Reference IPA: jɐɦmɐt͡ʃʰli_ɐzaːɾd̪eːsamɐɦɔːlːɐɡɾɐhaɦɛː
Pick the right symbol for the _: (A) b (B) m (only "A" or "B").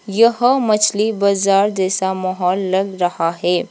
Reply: A